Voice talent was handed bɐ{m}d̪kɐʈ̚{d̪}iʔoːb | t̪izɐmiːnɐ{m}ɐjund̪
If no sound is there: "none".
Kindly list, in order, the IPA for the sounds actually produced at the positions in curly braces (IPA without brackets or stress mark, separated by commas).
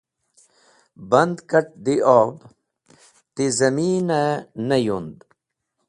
n, d̪, n